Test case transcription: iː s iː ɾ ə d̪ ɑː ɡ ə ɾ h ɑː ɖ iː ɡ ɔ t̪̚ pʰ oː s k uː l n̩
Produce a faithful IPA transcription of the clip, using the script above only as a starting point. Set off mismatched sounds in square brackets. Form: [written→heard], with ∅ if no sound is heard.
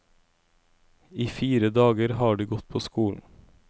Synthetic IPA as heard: iː [s→f] iː ɾ ə d̪ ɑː ɡ ə ɾ h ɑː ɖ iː ɡ ɔ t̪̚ pʰ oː s k uː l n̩